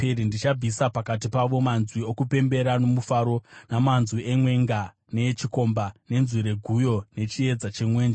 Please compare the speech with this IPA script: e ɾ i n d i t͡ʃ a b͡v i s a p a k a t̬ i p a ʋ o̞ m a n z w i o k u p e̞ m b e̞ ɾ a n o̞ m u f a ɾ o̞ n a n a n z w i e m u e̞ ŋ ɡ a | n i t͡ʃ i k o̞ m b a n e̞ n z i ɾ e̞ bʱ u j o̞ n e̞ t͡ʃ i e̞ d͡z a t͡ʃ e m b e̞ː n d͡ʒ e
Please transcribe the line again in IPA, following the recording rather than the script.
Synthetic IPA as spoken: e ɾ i n d i t͡ʃ a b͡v i s a p a k a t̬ i p a ʋ o̞ m a n z w i o k u p e̞ m b e̞ ɾ a n o̞ m u f a ɾ o̞ n a m a n z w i e m w e̞ ŋ ɡ a | n e t͡ʃ i k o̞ m b a n e̞ n z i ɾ e̞ ɡʱ u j o̞ n e̞ t͡ʃ i e̞ d͡z a t͡ʃ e m w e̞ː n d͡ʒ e